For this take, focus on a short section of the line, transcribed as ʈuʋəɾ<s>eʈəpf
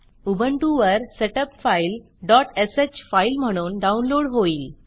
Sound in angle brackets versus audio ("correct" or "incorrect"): correct